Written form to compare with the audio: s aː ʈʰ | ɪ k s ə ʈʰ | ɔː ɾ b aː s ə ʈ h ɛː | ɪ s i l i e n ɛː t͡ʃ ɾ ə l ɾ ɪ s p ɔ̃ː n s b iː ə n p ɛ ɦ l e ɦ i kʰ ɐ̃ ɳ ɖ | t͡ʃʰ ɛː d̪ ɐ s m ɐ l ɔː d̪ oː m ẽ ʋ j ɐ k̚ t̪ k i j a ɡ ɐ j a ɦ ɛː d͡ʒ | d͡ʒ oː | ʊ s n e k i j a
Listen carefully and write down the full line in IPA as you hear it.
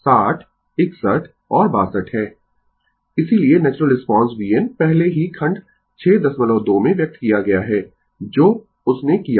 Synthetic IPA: s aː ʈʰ | ɪ k s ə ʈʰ | ɔː ɾ b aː s ə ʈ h ɛː | ɪ s i l i e n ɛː t͡ʃ ɾ ə l ɾ ɪ s p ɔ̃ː n s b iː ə n p ɛ ɦ l e ɦ i kʰ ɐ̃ ɳ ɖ | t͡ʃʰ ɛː d̪ ɐ s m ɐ l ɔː d̪ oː m ẽ ʋ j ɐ k̚ t̪ k i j a ɡ ɐ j a ɦ ɛː | d͡ʒ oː | ʊ s n e k i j a